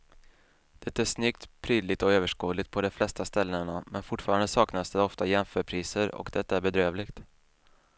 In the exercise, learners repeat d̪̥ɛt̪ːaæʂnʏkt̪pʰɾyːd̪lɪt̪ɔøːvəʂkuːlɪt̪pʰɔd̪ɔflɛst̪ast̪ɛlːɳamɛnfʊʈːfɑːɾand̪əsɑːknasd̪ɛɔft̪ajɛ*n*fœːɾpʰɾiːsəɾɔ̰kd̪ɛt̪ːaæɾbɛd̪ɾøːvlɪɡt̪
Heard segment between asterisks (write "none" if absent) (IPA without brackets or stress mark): m